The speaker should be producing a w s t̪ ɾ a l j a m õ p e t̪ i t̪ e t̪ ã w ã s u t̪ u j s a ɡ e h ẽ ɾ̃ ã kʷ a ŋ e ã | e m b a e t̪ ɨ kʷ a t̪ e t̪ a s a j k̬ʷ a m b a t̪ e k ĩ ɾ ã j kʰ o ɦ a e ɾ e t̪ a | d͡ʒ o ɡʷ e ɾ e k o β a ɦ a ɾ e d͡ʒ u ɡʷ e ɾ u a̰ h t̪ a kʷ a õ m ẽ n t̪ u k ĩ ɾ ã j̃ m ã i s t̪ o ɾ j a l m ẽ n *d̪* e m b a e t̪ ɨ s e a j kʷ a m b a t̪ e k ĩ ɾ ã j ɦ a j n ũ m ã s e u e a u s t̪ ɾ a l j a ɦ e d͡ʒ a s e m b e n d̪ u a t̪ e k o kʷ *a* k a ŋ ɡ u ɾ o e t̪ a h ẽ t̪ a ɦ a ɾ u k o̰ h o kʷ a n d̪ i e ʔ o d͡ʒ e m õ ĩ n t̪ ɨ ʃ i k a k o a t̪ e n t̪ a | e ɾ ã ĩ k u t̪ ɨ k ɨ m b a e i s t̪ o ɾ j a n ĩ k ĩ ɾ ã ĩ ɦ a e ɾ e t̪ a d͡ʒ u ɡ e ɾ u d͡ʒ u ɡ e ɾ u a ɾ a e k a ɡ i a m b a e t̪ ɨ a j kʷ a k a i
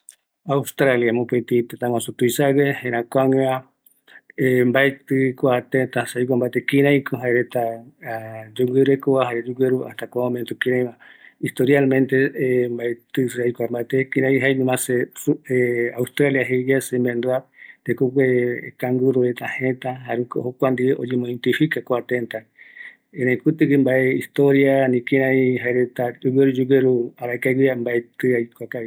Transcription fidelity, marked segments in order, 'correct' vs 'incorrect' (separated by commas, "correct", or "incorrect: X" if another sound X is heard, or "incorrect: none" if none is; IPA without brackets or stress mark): incorrect: t̪, incorrect: e